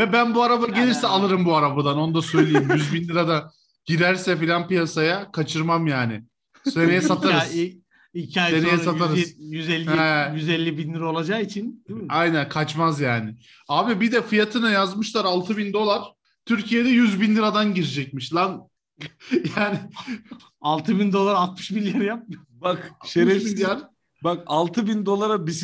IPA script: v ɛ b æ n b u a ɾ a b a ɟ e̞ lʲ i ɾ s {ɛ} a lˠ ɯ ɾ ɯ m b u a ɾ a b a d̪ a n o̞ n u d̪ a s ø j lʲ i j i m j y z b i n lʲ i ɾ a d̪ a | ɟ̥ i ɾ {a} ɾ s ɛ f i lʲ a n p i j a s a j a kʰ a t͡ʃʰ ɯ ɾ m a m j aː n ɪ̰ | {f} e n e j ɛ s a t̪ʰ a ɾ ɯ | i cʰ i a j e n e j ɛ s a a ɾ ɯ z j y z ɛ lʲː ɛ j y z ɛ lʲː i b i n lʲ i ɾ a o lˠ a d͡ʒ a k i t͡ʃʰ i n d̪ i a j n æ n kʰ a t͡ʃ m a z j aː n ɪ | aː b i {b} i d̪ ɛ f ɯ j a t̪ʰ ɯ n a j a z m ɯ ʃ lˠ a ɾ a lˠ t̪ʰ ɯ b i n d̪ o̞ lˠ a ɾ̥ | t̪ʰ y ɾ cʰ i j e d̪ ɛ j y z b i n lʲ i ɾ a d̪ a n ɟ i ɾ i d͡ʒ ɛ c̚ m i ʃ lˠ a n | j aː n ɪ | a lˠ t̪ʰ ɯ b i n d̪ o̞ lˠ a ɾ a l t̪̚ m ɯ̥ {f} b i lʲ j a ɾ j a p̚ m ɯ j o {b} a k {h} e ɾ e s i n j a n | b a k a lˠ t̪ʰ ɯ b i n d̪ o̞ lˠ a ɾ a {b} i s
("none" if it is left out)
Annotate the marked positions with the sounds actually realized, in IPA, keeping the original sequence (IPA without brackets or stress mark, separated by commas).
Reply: ɛ, æ, s, b, ʃ, b, ʃ, b